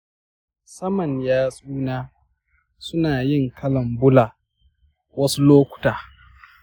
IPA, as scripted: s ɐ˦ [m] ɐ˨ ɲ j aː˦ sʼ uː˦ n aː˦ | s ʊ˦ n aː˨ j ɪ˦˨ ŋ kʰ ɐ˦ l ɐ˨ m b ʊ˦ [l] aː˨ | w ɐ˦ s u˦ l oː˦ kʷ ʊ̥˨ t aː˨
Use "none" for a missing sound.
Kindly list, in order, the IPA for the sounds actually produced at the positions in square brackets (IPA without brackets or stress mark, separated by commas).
m, l